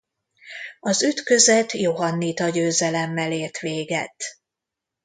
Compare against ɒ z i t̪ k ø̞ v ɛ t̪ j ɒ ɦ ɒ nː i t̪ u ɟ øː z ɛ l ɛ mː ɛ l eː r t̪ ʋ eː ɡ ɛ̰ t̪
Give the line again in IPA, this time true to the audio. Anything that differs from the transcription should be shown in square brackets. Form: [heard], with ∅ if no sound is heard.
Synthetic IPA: ɒ z [y] t̪ k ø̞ [z] ɛ t̪ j [o] ɦ ɒ nː i t̪ [ɒ] ɟ øː z ɛ l ɛ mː ɛ l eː r t̪ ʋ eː ɡ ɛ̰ t̪

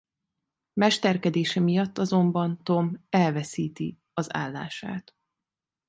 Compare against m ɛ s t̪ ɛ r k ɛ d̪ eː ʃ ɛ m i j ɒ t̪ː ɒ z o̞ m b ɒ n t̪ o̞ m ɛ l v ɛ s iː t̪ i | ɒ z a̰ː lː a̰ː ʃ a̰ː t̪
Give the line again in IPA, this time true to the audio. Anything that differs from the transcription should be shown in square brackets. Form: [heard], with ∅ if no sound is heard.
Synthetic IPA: m ɛ [ʃ] t̪ ɛ r k ɛ d̪ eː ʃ ɛ m i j ɒ t̪ː ɒ z o̞ m b ɒ n t̪ o̞ m ɛ l v ɛ s iː t̪ i | ɒ z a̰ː lː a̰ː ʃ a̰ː t̪

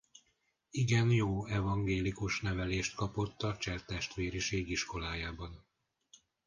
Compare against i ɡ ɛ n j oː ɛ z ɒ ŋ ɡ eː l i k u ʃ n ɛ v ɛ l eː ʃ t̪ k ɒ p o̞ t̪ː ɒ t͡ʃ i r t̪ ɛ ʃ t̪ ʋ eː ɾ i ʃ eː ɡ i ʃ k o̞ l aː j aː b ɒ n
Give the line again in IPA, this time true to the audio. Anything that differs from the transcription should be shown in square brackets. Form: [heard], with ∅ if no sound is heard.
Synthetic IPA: i ɡ ɛ n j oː ɛ [v] ɒ ŋ ɡ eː l i k u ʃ n ɛ v ɛ l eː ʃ t̪ k ɒ p o̞ t̪ː ɒ t͡ʃ [ɛ] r t̪ ɛ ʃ t̪ ʋ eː ɾ i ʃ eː ɡ i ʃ k o̞ l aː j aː b ɒ n

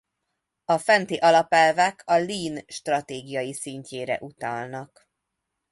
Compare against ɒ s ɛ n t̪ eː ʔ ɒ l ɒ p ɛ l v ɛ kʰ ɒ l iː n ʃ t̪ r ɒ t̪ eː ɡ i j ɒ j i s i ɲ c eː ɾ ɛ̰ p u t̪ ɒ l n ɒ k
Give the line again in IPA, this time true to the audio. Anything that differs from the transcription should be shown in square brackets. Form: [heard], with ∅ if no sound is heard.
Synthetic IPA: ɒ [f] ɛ n t̪ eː ʔ ɒ l ɒ p ɛ l v ɛ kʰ ɒ l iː n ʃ t̪ r ɒ t̪ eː ɡ i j ɒ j i s i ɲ c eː ɾ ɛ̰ [ʔ] u t̪ ɒ l n ɒ k

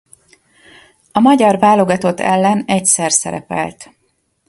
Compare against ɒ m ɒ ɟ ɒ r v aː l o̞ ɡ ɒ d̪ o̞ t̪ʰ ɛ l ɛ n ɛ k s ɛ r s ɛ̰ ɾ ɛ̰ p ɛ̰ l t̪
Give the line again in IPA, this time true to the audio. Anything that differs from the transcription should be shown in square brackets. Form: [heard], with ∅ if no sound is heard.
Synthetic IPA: ɒ m ɒ ɟ ɒ r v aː l o̞ ɡ ɒ [t̪] o̞ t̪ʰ ɛ [lː] ɛ n ɛ [c] s ɛ r s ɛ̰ ɾ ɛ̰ p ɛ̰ l t̪

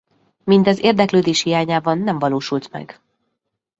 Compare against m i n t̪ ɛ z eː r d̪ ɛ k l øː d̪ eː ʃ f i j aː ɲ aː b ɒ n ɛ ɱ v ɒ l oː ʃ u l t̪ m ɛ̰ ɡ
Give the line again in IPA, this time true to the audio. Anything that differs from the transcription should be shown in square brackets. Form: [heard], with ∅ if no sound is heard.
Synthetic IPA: m i n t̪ ɛ z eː r d̪ ɛ k l øː d̪ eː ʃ [h] i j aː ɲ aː b ɒ [nː] ɛ ɱ v ɒ l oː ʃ u l t̪ m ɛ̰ ɡ

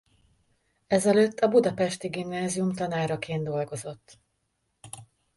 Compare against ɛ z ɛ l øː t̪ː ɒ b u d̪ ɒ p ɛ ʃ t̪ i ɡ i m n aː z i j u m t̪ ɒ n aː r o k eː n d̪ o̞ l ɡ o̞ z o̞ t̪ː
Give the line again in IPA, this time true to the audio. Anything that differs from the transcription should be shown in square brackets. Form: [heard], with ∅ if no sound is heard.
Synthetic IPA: ɛ z ɛ l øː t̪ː ɒ b u d̪ ɒ p ɛ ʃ t̪ i ɡ i m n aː z i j u m t̪ ɒ n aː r [ɒ] k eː n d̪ o̞ l ɡ o̞ z o̞ t̪ː

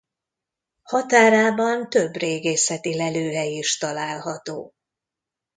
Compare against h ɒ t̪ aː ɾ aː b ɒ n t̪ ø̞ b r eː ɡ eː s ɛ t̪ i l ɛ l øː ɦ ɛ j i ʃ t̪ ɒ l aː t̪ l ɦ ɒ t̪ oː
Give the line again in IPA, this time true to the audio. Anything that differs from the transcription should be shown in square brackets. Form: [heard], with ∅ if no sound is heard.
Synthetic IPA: h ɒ t̪ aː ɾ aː b ɒ n t̪ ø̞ b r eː ɡ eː s ɛ t̪ i l ɛ l øː ɦ ɛ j i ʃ t̪ ɒ l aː [∅] l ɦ ɒ t̪ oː

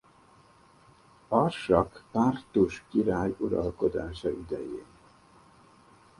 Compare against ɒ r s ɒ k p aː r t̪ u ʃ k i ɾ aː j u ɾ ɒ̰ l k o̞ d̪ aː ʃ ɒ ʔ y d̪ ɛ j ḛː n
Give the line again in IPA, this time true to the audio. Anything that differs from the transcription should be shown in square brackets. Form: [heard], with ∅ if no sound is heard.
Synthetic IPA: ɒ r [ʃ] ɒ k p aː r t̪ u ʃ k i ɾ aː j u ɾ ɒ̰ l k o̞ d̪ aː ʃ ɒ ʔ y d̪ ɛ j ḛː n

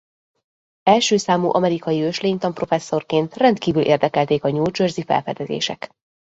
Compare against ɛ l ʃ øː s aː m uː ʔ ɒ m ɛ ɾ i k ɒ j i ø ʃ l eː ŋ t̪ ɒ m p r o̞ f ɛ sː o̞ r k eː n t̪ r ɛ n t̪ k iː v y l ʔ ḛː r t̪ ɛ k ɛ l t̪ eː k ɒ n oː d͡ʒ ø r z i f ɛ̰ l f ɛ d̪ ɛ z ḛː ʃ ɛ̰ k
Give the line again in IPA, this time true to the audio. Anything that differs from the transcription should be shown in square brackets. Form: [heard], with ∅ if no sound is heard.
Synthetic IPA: ɛ l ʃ øː s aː m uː ʔ ɒ m ɛ ɾ i k ɒ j i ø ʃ l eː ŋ t̪ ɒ m p r o̞ f ɛ sː o̞ r k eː n t̪ r ɛ n t̪ k iː v y l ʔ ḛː r [d̪] ɛ k ɛ l t̪ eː k ɒ [ɲ] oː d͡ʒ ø r z i f ɛ̰ l f ɛ d̪ ɛ z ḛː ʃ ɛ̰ k

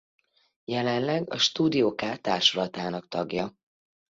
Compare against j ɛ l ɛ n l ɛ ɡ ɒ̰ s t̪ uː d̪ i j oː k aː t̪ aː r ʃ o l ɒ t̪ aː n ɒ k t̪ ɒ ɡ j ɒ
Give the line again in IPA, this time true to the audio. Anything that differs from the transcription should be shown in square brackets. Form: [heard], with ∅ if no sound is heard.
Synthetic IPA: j ɛ l ɛ n l ɛ ɡ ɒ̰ [ʃ] t̪ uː d̪ i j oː k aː t̪ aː r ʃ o l ɒ t̪ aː n ɒ k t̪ ɒ ɡ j ɒ

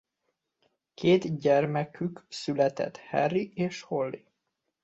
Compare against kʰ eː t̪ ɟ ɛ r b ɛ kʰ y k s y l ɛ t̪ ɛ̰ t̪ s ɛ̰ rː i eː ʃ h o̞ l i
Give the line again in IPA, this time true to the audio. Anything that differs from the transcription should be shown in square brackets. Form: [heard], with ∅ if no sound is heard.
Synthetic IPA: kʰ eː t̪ ɟ ɛ r [m] ɛ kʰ y k s y l ɛ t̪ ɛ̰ t̪ [h] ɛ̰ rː i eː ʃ h o̞ [lː] i

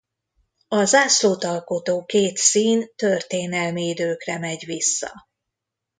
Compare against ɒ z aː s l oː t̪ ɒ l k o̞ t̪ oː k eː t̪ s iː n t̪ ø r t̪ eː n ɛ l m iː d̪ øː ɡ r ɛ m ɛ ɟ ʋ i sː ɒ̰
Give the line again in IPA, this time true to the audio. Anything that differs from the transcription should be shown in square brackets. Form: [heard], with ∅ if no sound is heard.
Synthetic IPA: ɒ z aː s l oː t̪ ɒ l k o̞ t̪ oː k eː t̪ s iː n t̪ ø r t̪ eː n ɛ l m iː d̪ øː [k] r ɛ m ɛ ɟ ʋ i sː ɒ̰

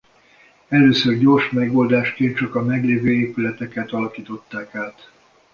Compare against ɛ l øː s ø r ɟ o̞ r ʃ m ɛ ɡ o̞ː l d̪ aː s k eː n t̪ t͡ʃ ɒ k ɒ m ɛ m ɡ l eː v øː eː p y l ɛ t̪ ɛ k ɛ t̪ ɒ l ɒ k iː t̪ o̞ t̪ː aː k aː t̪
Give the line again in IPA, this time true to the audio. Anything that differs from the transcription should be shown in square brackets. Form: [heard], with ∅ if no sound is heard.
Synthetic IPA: ɛ l øː s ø r ɟ o̞ r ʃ m ɛ ɡ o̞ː l d̪ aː [ʃ] k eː n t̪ t͡ʃ ɒ k ɒ m ɛ [∅] ɡ l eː v øː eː p y l ɛ t̪ ɛ k ɛ t̪ ɒ l ɒ k iː t̪ o̞ t̪ː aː k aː t̪

